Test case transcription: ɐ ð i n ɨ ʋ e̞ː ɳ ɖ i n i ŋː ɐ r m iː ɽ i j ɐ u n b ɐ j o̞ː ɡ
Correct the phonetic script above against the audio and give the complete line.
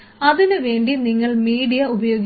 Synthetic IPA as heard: ɐ ð i n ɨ ʋ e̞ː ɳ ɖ i n i ŋː ɐ ɭ m iː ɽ i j ɐ u b ɐ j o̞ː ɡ